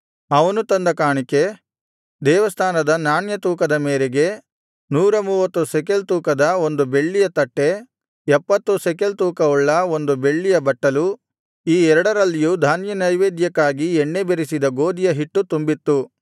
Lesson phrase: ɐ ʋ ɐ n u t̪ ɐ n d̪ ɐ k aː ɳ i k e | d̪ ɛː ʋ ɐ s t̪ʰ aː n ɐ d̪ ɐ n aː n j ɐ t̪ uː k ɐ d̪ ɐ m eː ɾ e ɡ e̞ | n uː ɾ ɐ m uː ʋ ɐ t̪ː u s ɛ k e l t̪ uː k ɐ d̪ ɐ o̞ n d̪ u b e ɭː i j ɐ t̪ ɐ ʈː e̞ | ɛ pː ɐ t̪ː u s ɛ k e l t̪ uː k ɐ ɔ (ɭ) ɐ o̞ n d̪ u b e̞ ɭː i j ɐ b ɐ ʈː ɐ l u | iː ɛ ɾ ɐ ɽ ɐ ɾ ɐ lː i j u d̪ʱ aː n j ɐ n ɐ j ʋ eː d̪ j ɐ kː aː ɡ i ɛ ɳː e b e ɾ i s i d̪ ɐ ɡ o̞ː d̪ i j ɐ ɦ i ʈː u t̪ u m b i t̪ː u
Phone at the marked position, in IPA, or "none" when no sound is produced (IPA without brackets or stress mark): ɭː